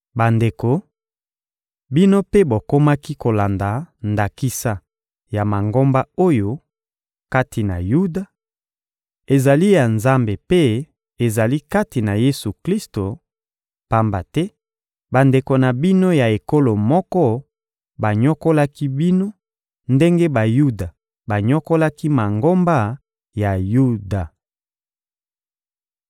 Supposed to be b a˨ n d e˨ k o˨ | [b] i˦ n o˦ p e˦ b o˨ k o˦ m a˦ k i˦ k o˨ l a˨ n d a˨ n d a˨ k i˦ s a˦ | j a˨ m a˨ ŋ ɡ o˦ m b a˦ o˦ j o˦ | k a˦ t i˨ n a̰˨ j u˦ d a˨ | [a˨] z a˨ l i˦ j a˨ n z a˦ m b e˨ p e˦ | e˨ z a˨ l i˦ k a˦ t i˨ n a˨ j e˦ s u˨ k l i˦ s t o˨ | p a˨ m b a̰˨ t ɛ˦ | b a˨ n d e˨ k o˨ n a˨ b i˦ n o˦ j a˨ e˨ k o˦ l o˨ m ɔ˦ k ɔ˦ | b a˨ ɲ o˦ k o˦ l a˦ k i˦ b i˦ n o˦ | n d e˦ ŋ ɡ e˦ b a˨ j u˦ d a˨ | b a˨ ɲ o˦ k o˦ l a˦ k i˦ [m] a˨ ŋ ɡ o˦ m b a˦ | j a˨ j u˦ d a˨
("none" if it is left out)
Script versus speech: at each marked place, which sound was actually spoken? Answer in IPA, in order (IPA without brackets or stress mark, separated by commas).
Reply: b, e˨, m